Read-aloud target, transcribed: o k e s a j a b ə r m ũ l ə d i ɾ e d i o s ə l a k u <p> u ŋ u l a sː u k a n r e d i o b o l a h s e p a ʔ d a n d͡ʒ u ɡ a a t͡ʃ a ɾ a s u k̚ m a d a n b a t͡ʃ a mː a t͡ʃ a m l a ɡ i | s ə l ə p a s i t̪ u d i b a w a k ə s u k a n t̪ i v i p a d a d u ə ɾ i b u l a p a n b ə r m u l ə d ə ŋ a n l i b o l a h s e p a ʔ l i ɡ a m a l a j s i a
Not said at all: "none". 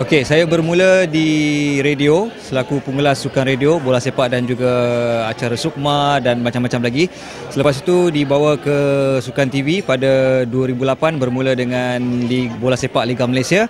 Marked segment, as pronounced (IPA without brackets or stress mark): p